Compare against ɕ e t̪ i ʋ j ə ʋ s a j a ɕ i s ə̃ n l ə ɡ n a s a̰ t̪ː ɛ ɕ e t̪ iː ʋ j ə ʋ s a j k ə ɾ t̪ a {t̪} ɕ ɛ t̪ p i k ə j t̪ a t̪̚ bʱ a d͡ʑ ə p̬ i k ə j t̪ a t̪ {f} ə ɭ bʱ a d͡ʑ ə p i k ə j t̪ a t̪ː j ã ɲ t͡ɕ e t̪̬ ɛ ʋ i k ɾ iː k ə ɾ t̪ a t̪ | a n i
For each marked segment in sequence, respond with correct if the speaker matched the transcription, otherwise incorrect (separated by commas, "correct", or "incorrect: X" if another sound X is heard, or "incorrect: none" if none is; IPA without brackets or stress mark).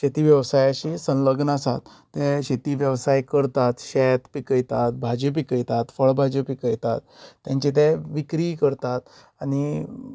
correct, correct